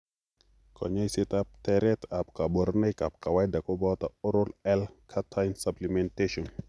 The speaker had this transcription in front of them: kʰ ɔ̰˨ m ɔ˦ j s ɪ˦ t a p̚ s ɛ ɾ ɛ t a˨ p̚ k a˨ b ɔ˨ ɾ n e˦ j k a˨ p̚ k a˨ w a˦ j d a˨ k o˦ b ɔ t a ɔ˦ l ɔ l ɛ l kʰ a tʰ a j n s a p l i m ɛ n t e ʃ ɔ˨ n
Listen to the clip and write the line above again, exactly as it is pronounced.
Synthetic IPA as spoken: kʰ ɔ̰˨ ɲ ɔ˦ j s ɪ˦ t a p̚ t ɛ ɾ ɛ t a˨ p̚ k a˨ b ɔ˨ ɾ n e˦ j k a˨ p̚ k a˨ w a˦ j d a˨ k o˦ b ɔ t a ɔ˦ ɾ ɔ l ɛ l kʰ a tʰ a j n s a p l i m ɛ n t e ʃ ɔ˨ n